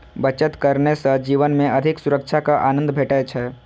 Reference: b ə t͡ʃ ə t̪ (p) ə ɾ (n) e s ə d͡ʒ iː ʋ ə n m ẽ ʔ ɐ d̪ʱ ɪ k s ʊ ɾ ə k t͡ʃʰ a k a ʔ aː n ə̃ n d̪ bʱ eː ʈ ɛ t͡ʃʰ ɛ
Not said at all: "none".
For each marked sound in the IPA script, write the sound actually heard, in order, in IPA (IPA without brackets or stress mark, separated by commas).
k, n